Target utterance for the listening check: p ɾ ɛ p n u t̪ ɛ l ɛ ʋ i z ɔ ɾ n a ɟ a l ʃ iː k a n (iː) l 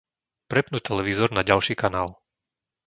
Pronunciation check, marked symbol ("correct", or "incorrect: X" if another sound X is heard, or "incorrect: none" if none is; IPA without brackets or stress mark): incorrect: aː